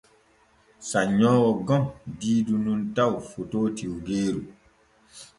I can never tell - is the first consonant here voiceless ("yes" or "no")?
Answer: yes